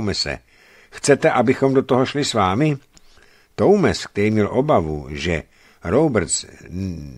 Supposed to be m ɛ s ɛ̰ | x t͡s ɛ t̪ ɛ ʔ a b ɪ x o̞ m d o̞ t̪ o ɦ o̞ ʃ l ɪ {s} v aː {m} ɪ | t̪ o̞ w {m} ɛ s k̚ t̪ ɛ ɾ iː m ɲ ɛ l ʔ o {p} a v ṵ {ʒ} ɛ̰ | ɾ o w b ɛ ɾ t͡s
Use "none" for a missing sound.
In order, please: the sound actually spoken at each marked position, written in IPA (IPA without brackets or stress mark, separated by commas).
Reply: s, m, m, b, ʒ